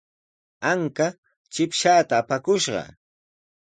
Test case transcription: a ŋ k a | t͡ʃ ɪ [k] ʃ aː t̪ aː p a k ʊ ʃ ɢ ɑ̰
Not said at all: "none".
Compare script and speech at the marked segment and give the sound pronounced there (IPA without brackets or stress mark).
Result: p